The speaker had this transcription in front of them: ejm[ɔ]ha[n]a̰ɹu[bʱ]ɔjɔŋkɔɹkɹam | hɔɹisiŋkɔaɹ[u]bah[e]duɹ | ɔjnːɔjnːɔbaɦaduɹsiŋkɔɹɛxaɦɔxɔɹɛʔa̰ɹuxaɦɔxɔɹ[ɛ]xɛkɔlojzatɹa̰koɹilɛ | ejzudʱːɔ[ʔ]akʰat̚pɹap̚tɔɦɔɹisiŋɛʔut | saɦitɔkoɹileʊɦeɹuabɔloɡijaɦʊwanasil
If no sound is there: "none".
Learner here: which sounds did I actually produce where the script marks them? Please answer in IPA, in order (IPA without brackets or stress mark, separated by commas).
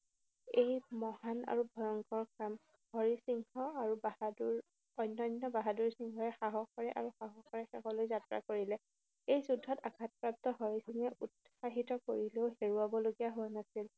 ɔ, n, bʱ, u, a, ɛ, t